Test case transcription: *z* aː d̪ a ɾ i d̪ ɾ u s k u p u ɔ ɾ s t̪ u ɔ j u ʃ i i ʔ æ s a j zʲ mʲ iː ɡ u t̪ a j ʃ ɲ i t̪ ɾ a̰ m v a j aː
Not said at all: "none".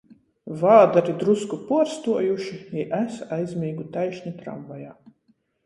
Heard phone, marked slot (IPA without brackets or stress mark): v